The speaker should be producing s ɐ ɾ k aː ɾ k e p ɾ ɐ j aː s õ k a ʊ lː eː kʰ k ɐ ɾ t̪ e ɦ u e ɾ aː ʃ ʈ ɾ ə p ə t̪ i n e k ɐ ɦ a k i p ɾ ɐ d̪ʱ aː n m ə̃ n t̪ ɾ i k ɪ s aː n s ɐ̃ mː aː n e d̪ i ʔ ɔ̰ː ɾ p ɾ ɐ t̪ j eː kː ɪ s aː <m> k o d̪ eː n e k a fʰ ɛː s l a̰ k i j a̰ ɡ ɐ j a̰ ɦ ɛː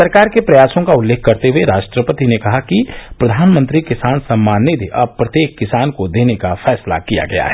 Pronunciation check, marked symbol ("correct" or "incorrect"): incorrect